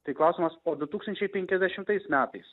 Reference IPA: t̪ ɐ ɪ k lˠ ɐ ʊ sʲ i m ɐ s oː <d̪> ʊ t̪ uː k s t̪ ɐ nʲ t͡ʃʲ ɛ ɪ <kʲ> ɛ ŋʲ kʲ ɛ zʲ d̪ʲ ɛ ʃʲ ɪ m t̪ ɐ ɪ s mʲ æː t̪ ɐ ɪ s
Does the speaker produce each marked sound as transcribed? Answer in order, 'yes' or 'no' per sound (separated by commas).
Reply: yes, no